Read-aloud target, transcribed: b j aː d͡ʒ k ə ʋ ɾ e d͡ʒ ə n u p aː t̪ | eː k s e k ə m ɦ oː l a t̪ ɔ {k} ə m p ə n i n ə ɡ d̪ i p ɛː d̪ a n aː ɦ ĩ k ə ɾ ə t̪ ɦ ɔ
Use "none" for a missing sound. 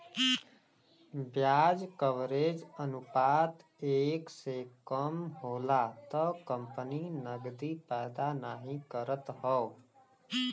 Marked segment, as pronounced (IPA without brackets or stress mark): k